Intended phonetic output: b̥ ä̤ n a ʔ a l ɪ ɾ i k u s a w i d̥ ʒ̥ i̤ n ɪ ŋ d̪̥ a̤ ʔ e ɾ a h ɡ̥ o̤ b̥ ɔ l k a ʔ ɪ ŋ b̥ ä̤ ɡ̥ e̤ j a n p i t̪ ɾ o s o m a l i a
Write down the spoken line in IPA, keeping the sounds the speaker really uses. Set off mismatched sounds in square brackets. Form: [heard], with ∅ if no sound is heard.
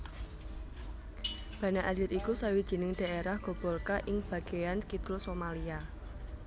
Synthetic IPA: b̥ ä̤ n a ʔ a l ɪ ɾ i k u s a w i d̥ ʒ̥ i̤ n ɪ ŋ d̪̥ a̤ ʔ e ɾ a h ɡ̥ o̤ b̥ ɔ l k a ʔ ɪ ŋ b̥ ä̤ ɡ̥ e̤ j a n [k] i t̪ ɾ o s o m a l i a

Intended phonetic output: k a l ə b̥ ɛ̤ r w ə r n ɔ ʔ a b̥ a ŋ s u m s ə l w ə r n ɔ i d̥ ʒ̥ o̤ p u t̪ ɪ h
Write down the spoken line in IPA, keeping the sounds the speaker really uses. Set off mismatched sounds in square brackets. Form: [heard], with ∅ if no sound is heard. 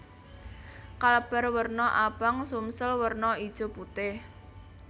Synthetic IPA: k a l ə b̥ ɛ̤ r w ə r n ɔ ʔ a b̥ a ŋ s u m s ə l w ə r n ɔ i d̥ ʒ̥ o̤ p u t̪ ɪ h

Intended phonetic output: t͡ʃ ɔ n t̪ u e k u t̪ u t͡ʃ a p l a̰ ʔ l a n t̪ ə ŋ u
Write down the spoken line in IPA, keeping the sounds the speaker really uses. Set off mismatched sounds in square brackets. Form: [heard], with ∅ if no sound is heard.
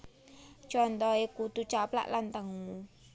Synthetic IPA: t͡ʃ ɔ n t̪ [ɔ] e k u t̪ u t͡ʃ a p l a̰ ʔ l a n t̪ ə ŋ u

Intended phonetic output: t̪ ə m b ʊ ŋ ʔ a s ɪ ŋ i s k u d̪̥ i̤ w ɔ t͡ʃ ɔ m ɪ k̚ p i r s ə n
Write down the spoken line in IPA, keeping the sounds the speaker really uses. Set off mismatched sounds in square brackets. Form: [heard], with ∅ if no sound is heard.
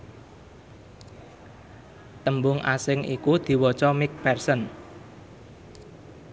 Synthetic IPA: t̪ ə m b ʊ ŋ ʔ a s ɪ ŋ i [∅] k u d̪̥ i̤ w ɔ t͡ʃ ɔ m ɪ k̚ p [ɛ] r s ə n

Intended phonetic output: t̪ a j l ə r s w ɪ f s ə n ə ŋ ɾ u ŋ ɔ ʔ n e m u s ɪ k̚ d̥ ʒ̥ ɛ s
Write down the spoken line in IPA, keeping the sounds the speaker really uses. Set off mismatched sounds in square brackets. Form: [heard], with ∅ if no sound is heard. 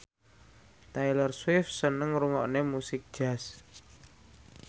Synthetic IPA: t̪ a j l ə r s w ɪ f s ə n ə ŋ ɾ u ŋ ɔ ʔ n e m u s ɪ k̚ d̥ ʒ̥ [a] s

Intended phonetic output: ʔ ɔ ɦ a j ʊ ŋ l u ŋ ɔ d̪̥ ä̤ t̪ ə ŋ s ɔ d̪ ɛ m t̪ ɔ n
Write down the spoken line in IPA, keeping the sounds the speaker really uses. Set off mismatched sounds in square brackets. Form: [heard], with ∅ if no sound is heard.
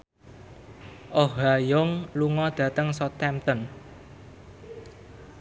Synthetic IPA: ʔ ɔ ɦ a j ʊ ŋ l u ŋ ɔ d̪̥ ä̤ t̪ ə ŋ s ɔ [t̪] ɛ m t̪ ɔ n

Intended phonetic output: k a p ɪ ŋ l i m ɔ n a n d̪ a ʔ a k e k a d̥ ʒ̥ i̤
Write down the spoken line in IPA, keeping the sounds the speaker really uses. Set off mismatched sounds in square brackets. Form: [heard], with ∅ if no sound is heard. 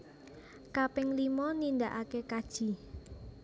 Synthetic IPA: k a p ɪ ŋ l i m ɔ n [i] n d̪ a ʔ a k e k a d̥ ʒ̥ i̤

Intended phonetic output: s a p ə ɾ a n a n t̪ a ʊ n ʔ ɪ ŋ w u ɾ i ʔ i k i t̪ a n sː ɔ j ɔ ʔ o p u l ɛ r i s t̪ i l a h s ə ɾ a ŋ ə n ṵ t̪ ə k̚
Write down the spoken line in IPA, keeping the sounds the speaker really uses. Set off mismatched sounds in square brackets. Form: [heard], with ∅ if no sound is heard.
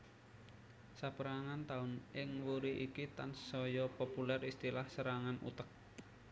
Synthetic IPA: s a p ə ɾ a [ŋ] a n t̪ a ʊ n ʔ ɪ ŋ w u ɾ i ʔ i k i t̪ a n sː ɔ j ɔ [p] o p u l ɛ r i s t̪ i l a h s ə ɾ a ŋ [a] n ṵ t̪ ə k̚

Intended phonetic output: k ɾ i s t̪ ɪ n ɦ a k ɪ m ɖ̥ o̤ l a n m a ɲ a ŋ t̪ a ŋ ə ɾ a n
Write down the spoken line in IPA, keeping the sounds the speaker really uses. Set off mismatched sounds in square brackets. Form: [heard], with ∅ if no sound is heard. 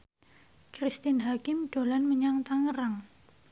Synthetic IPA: k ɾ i s t̪ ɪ n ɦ a k ɪ m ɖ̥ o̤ l a n m [ə] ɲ a ŋ t̪ a ŋ ə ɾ a [ŋ]

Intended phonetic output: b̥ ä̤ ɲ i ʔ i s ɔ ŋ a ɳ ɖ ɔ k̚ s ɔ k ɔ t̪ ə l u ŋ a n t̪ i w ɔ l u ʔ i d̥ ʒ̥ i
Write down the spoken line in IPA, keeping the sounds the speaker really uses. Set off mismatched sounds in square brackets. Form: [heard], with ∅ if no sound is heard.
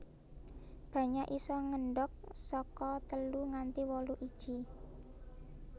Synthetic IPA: b̥ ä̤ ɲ [a] ʔ i s ɔ ŋ [ə] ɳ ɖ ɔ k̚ s ɔ k ɔ t̪ ə l u ŋ a n t̪ i w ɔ l u ʔ i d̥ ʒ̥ i

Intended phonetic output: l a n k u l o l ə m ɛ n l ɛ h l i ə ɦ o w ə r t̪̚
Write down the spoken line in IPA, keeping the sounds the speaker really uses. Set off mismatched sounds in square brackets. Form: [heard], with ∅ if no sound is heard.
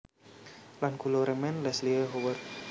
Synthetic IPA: l a n k u l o [ɾ] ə m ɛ n l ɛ [s] l i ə ɦ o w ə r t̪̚

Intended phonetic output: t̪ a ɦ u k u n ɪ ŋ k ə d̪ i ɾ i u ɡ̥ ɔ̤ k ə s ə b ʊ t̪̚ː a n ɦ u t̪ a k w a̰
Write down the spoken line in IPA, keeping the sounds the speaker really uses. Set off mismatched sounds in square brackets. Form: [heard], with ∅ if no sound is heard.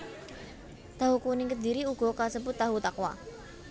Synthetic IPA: t̪ a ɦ u k u n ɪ ŋ k ə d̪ i ɾ i u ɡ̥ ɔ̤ k [a] s ə b ʊ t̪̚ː a [∅] ɦ u t̪ a k w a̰

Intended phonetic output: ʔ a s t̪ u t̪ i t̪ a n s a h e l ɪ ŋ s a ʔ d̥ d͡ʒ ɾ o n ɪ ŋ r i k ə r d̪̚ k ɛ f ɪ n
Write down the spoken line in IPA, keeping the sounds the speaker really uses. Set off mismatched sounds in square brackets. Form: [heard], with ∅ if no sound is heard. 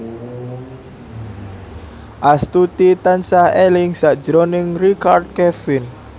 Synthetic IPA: ʔ a s t̪ u t̪ i t̪ a n s a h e l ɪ ŋ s a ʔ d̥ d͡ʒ ɾ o n ɪ ŋ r i k [a] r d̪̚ k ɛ f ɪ n

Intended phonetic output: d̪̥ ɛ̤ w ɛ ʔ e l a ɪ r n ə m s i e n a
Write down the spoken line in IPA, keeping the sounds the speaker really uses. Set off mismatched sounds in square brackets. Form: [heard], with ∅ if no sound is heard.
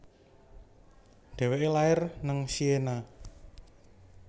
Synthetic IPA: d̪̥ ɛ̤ w [e] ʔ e l a ɪ r n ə [ŋ] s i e n a

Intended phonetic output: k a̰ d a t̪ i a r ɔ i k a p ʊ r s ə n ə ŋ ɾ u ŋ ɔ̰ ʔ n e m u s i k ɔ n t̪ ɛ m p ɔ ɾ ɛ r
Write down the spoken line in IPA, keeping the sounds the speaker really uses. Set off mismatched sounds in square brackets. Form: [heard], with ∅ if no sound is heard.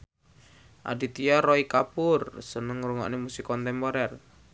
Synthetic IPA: [ʔ] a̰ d [i] t̪ i a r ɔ i k a p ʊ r s ə n ə ŋ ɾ u ŋ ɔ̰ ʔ n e m u s i k ɔ n t̪ ɛ m p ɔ ɾ ɛ r

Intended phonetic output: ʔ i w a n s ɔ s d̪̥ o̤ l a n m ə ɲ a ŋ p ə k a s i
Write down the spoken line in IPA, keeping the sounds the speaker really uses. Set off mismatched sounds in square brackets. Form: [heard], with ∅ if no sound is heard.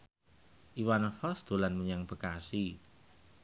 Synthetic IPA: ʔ i w a n [f] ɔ s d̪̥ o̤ l a n m ə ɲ a ŋ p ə k a s i

